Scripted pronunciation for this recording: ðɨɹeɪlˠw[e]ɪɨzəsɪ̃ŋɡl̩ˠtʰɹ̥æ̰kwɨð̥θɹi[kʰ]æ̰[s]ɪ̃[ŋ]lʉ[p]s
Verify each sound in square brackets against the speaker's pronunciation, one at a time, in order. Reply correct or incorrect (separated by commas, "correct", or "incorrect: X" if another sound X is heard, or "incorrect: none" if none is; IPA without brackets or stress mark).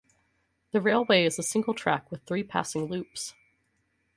correct, incorrect: pʰ, correct, correct, correct